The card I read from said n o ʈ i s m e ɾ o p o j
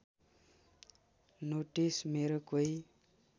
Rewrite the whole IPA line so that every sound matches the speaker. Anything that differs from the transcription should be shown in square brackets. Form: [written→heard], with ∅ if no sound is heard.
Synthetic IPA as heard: n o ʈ i s m e ɾ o [p→k] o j